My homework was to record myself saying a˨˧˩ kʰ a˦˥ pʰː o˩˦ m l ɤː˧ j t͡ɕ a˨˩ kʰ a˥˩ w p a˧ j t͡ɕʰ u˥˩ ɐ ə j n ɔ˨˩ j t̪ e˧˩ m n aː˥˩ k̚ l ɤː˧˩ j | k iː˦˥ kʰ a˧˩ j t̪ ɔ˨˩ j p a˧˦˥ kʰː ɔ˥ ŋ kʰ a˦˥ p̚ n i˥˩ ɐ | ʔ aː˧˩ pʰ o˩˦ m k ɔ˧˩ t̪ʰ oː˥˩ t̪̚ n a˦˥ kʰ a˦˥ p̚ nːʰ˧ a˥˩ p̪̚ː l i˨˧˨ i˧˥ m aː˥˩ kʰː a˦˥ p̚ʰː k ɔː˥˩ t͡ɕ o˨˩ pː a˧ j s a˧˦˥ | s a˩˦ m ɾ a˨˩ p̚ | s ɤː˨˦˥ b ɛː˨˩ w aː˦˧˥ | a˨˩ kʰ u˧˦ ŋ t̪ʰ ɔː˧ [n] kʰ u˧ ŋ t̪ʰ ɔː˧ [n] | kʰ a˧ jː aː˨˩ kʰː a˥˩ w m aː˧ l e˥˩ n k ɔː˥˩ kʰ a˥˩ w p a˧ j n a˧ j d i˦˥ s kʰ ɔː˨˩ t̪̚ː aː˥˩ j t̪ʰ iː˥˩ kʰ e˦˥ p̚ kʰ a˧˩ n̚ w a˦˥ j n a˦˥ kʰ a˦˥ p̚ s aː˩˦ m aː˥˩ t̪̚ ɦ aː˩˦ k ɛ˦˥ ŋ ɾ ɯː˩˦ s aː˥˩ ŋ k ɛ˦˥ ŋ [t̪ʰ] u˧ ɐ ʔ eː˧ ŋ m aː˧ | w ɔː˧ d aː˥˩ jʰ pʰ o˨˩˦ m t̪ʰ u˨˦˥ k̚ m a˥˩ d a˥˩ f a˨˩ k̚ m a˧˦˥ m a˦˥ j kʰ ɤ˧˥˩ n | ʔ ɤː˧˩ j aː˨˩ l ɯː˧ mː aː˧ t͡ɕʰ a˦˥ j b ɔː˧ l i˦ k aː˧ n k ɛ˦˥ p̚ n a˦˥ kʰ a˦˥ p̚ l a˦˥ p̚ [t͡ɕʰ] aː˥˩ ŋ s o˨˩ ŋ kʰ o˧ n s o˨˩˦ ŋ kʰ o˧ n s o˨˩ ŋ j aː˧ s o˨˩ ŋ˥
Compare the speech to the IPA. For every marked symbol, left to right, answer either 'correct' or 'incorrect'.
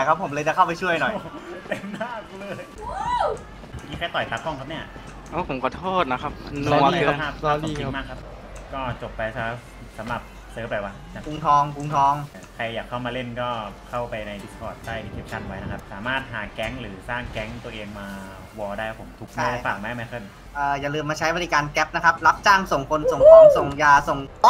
incorrect, incorrect, incorrect, incorrect

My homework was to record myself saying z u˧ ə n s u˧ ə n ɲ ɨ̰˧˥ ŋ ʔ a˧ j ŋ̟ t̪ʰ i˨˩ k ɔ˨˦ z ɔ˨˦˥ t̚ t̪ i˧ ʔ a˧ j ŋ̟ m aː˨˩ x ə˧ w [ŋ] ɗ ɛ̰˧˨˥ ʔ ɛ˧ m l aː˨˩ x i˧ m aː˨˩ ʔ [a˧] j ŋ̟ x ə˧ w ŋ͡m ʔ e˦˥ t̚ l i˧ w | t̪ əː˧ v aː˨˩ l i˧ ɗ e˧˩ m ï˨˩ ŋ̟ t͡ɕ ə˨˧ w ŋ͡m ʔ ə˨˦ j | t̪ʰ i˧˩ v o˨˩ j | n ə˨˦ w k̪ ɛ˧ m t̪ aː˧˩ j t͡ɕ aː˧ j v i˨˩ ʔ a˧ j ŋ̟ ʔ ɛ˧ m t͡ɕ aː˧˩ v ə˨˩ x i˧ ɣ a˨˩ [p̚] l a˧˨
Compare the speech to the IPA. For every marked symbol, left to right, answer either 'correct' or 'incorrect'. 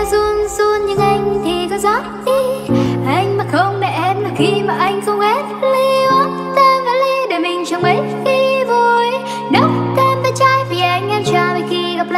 incorrect, correct, correct

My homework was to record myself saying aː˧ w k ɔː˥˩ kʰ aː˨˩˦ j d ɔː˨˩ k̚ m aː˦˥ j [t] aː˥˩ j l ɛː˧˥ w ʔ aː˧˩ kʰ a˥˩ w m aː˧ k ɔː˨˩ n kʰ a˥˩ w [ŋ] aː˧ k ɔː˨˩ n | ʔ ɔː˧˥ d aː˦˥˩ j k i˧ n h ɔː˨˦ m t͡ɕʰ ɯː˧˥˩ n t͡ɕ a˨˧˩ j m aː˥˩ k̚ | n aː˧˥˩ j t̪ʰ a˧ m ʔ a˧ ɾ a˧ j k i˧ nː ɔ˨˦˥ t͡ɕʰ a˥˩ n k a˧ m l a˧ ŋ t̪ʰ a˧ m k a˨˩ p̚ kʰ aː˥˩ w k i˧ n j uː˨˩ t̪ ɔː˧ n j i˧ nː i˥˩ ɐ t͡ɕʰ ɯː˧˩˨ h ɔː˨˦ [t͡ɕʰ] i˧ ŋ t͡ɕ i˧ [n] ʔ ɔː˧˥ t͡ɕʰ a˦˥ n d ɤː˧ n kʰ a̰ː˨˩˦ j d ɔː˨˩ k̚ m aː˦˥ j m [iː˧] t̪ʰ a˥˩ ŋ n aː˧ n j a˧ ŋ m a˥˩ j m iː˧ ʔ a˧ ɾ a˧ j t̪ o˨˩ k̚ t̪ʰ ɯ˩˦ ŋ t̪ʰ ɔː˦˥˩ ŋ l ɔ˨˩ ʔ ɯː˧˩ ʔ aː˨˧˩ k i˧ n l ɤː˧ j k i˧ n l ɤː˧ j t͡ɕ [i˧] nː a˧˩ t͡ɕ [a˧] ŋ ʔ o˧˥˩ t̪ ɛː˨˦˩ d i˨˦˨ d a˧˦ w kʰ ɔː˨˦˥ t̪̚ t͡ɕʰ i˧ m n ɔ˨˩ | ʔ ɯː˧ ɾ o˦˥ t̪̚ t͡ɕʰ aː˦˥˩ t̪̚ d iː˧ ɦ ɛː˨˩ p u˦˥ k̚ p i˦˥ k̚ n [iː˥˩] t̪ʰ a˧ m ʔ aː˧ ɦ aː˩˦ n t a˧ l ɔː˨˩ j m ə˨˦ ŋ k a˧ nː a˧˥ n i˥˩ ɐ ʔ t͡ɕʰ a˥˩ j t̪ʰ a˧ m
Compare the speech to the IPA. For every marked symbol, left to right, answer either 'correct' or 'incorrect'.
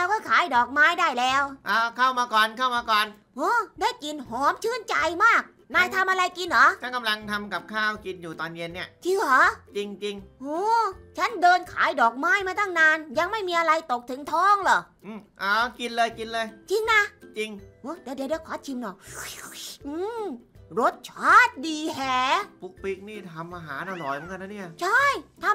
incorrect, incorrect, incorrect, incorrect, incorrect, correct, incorrect, correct

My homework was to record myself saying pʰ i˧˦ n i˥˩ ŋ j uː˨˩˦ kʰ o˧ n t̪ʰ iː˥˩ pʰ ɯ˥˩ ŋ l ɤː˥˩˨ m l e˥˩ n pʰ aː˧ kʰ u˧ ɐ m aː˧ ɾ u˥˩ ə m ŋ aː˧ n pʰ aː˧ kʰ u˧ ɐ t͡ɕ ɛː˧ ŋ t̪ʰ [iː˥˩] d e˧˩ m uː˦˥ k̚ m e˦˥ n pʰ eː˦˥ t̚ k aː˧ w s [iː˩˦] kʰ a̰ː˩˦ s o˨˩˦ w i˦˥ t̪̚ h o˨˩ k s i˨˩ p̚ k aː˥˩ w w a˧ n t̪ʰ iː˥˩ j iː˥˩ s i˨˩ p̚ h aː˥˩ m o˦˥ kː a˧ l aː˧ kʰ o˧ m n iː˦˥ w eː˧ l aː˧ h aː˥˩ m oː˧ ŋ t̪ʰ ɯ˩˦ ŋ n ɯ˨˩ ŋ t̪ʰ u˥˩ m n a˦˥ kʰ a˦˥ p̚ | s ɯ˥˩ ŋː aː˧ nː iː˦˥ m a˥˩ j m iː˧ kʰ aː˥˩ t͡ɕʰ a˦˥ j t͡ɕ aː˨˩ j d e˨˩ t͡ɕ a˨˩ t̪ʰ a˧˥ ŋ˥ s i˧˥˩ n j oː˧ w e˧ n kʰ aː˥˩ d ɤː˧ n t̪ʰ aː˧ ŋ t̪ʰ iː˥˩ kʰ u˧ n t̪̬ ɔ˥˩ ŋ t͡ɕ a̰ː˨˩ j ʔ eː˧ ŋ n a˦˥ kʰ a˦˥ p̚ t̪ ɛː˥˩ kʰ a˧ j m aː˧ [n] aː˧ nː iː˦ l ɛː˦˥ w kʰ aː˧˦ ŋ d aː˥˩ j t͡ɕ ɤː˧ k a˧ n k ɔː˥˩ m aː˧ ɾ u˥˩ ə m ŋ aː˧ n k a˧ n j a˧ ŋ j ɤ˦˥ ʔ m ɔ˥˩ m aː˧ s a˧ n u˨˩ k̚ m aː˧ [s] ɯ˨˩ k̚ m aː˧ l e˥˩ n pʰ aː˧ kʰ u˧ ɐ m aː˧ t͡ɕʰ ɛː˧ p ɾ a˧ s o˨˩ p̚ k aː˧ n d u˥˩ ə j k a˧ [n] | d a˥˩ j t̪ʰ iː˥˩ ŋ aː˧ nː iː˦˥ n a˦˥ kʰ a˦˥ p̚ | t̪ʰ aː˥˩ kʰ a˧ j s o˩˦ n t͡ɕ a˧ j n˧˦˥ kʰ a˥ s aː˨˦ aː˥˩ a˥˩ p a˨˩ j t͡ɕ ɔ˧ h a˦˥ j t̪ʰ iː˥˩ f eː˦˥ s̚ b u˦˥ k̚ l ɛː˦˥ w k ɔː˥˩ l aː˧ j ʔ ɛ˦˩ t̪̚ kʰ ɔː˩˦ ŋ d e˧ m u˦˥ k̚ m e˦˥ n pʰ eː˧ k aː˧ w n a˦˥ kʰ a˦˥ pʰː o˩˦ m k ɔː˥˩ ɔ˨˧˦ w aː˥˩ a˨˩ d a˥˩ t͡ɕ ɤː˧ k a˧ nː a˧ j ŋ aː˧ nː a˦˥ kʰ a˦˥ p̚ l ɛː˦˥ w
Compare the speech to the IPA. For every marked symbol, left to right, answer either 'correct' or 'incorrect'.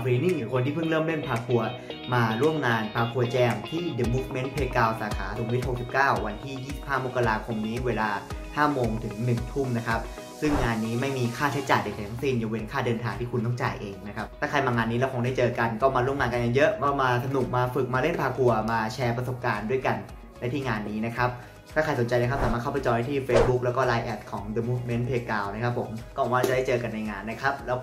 correct, incorrect, incorrect, incorrect, correct

